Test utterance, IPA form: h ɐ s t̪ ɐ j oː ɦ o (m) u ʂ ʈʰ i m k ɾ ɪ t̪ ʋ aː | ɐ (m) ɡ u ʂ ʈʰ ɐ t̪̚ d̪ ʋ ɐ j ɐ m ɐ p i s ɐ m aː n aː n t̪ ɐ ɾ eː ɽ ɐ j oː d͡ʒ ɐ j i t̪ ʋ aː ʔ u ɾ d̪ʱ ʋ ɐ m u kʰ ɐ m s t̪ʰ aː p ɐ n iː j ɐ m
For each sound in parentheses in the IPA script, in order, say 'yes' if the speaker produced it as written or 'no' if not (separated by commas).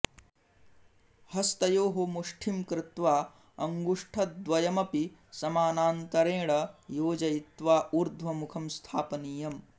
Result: yes, no